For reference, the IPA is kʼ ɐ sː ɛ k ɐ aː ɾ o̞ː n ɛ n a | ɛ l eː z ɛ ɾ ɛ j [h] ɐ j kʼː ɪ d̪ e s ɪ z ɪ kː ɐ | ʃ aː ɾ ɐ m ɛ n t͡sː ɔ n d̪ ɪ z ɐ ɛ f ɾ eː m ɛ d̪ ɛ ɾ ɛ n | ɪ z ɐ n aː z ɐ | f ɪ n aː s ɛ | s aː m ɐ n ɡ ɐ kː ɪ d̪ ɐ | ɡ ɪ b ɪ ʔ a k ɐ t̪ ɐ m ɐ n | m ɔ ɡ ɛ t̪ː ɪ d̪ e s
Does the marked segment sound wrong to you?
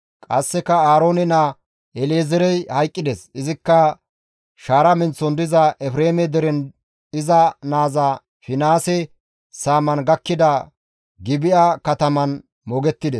no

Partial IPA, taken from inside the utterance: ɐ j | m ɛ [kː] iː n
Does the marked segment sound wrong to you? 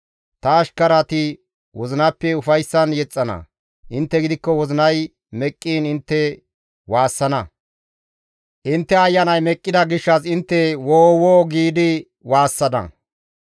yes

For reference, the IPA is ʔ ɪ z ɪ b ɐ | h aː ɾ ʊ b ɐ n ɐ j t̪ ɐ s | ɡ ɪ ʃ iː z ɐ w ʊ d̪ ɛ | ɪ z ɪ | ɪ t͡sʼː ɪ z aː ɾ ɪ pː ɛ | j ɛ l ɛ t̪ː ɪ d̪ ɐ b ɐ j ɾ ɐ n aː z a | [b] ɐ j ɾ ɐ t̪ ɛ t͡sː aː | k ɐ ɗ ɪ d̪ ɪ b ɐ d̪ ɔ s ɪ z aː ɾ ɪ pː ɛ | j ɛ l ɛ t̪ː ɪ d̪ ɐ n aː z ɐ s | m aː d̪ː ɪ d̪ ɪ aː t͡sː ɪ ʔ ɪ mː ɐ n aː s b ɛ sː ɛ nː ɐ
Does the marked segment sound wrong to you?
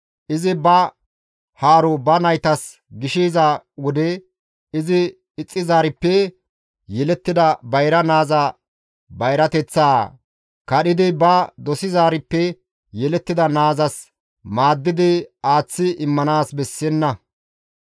no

